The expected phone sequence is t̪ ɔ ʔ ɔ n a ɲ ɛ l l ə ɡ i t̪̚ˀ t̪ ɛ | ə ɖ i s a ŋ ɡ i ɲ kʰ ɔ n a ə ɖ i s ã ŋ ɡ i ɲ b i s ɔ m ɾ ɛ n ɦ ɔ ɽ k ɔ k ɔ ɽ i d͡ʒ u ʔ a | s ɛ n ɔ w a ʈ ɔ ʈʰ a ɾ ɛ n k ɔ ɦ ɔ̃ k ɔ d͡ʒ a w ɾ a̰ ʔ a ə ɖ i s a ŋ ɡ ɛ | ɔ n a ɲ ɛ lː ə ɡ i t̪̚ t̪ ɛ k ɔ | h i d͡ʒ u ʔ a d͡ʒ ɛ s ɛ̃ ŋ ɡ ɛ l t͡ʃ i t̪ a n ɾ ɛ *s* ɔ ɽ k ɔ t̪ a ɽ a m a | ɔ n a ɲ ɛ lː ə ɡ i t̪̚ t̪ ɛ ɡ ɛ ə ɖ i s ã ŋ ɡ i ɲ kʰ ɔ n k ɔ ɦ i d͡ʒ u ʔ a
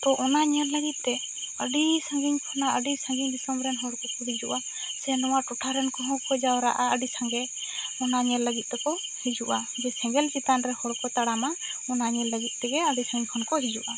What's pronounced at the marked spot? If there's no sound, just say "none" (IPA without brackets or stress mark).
h